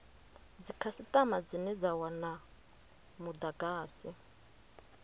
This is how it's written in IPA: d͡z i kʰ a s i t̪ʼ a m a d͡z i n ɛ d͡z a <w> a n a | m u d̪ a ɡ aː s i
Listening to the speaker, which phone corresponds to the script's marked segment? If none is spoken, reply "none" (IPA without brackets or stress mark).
w